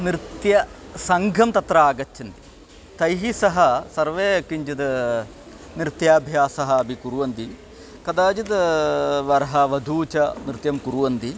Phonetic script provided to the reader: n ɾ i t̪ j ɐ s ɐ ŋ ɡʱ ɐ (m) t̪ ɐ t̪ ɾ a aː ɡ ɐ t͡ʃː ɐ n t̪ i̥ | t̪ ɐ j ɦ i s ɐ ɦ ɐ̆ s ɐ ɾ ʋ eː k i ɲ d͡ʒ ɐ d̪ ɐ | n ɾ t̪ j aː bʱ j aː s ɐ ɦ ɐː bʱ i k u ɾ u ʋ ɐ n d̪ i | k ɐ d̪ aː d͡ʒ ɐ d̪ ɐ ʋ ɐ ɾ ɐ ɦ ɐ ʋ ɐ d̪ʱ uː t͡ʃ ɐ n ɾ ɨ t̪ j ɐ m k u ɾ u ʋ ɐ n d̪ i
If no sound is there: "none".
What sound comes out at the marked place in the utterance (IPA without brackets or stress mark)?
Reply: m